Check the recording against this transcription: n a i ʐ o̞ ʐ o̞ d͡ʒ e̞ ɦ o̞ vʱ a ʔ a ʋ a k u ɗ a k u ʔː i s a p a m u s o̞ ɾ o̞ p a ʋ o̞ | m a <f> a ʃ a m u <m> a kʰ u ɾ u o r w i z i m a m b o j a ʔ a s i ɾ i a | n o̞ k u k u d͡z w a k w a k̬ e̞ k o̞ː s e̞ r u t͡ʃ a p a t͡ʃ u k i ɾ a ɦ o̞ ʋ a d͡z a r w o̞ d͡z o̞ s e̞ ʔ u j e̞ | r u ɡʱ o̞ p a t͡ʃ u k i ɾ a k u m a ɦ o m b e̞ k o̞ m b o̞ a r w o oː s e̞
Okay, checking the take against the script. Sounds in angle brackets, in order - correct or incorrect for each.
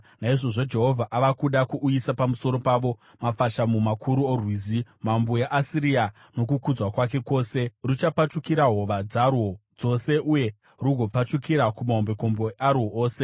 correct, correct

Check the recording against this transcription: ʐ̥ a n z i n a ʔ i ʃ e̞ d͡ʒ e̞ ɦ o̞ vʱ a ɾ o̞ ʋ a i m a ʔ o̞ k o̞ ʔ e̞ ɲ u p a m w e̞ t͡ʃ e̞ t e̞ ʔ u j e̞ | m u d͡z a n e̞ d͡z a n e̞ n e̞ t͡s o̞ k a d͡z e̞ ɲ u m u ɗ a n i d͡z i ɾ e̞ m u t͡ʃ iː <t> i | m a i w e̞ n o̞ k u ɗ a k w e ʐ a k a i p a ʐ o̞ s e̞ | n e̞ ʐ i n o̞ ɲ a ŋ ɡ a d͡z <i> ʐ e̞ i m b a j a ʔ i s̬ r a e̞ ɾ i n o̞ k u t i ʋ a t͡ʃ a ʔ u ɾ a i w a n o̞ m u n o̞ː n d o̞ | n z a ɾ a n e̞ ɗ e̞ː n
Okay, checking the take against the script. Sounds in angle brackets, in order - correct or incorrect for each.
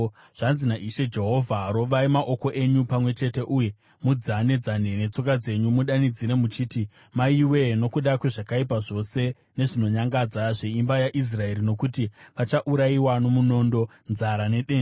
correct, incorrect

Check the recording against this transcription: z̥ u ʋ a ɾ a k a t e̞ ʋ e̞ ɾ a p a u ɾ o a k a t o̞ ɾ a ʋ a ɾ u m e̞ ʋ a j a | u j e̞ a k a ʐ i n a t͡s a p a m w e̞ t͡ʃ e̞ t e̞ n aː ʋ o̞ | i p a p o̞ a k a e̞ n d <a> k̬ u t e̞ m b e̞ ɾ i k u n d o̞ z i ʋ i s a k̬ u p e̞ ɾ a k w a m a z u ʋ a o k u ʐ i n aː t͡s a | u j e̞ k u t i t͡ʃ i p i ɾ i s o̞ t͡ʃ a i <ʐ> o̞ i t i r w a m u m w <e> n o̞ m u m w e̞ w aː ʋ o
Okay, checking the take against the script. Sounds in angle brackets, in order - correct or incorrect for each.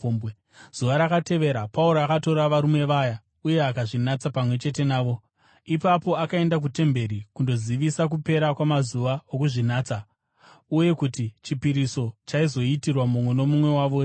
correct, incorrect, correct

